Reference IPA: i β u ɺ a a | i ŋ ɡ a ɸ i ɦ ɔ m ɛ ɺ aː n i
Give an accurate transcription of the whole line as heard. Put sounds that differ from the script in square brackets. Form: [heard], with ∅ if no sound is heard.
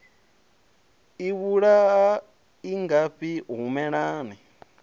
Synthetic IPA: i β u ɺ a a | i ŋ ɡ a ɸ i ɦ [u] m ɛ ɺ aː n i